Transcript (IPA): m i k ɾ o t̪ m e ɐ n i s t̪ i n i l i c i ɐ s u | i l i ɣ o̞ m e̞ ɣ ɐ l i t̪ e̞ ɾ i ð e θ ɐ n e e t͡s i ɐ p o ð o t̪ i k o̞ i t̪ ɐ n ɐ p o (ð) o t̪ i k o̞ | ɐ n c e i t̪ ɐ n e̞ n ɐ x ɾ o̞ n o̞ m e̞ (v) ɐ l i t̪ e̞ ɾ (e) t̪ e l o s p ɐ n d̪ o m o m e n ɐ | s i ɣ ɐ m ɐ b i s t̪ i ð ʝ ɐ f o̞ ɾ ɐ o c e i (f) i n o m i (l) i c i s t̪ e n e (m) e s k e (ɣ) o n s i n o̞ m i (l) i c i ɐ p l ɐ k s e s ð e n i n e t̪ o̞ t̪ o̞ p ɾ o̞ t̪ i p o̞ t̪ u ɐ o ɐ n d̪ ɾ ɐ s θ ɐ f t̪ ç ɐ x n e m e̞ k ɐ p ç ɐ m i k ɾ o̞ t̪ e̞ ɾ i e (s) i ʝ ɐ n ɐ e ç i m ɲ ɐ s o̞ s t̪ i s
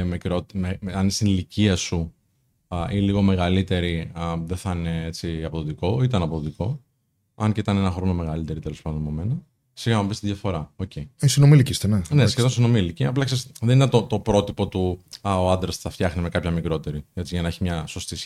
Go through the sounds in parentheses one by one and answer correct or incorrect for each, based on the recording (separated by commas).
correct, incorrect, incorrect, incorrect, correct, incorrect, incorrect, correct, incorrect